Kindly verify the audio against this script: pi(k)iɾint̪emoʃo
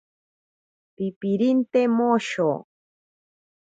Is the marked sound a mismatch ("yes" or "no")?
yes